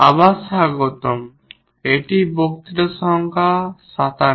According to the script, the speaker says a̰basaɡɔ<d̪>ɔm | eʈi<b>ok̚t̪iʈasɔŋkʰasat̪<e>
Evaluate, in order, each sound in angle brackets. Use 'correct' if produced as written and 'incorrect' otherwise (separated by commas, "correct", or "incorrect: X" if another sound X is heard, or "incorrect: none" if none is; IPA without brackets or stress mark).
incorrect: t̪, correct, incorrect: a